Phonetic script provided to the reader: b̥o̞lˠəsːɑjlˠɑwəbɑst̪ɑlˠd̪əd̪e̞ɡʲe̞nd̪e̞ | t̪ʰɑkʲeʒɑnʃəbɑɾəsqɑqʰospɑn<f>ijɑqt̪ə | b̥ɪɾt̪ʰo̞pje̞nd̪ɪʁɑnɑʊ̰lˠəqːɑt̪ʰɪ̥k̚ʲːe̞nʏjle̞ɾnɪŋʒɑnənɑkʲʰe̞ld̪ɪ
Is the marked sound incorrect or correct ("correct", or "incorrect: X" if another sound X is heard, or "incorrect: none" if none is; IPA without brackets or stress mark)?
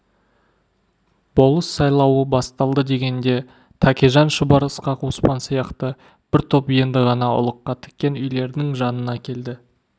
incorrect: s